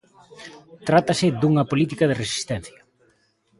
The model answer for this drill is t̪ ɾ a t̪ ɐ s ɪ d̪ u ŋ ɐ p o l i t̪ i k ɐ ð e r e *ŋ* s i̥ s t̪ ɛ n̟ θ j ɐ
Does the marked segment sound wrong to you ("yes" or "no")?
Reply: yes